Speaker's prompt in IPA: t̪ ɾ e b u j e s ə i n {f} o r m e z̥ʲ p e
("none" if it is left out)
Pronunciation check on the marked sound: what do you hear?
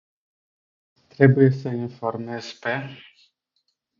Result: f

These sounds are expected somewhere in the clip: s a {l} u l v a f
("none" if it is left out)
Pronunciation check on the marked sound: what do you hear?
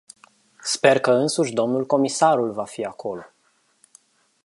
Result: ɾ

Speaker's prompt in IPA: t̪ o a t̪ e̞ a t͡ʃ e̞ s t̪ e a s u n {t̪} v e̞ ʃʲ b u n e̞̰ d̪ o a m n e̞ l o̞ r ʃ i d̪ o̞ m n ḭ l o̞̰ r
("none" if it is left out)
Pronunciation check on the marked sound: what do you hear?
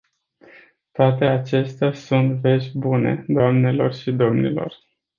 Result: t̪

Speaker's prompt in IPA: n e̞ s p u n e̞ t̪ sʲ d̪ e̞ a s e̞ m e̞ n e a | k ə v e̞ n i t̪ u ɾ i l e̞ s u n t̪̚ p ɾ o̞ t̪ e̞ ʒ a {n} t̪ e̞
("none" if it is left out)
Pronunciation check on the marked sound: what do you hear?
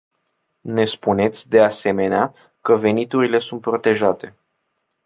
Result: none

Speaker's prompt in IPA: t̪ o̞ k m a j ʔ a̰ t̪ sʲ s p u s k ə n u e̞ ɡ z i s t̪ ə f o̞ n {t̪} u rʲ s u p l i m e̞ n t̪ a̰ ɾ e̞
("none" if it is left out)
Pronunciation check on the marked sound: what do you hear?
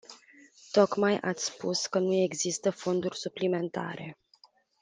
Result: d̪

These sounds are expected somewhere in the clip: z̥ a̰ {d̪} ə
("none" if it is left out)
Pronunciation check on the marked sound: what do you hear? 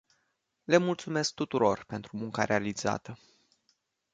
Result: t̪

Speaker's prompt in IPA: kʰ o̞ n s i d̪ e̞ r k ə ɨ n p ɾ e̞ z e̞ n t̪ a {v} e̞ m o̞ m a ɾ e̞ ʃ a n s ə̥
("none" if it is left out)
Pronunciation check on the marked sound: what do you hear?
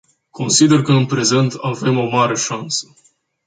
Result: v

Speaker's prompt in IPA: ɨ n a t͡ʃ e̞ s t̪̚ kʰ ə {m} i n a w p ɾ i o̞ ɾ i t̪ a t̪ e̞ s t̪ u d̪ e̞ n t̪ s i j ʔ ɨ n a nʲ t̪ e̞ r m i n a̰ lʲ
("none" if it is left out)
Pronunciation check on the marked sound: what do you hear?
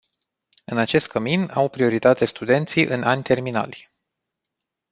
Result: m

